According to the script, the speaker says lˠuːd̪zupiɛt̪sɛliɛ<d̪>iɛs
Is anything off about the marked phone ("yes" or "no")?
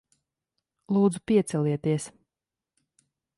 yes